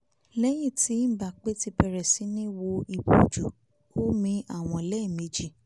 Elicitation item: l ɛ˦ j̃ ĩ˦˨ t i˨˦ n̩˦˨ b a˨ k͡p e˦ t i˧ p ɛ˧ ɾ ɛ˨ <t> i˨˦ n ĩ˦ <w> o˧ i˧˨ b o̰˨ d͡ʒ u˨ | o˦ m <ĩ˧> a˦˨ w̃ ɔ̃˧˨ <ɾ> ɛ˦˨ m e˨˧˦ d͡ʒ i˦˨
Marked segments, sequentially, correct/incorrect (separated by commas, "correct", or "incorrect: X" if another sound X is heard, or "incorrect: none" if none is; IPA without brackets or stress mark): incorrect: s, correct, correct, incorrect: l